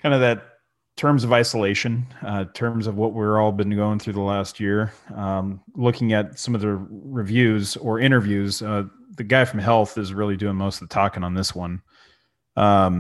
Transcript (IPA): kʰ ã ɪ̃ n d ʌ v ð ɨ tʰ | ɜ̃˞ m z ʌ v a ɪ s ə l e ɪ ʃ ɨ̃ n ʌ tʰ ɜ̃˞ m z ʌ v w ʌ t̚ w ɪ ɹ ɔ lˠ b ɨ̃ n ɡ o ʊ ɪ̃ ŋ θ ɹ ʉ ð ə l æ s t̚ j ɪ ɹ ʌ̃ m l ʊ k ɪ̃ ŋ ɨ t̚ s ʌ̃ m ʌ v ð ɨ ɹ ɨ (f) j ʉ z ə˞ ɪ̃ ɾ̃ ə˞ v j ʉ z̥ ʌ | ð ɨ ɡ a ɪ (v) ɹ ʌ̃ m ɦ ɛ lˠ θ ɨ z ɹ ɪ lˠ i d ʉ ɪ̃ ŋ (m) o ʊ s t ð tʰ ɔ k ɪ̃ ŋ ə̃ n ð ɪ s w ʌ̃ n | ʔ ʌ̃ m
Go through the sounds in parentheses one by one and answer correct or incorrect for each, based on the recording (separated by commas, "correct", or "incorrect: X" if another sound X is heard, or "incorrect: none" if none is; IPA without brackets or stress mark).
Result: incorrect: v, incorrect: f, correct